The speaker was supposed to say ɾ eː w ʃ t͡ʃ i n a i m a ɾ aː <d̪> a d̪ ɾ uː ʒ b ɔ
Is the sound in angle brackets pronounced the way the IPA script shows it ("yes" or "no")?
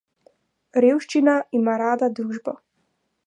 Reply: yes